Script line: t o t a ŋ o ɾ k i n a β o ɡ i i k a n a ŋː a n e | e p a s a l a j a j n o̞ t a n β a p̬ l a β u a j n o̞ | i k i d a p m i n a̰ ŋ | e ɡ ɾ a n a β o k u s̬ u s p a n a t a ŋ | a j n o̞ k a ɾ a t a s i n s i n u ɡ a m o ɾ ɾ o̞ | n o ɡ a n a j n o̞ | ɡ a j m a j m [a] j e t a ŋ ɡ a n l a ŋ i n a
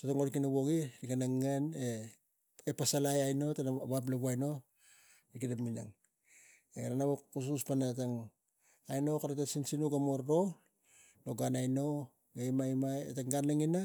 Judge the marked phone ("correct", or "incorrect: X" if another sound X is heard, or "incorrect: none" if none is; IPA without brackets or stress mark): correct